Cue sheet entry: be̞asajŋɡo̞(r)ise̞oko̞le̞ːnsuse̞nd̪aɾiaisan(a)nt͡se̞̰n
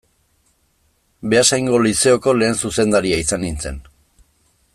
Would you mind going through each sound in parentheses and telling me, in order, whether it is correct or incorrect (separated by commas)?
incorrect, incorrect